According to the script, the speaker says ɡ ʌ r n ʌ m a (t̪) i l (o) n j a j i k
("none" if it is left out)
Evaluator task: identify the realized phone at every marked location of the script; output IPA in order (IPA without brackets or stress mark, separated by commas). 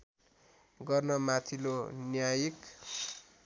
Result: t̪ʰ, o